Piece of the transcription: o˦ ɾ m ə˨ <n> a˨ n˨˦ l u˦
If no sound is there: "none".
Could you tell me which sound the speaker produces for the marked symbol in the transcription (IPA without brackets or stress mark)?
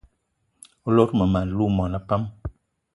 m